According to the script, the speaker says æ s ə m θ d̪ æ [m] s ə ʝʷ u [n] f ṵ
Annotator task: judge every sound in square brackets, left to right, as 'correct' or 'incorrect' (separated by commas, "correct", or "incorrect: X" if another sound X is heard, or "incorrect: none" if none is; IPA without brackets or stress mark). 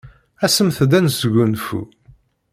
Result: incorrect: n, correct